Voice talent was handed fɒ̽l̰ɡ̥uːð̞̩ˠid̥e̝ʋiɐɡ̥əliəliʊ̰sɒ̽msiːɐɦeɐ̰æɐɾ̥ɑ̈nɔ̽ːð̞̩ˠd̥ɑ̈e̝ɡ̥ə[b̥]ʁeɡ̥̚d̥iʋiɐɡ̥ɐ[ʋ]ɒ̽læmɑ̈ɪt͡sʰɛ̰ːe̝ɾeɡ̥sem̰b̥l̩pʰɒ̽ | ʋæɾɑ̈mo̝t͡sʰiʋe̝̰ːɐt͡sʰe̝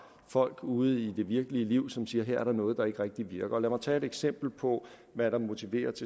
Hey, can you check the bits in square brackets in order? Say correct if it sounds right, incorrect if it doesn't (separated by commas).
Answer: incorrect, incorrect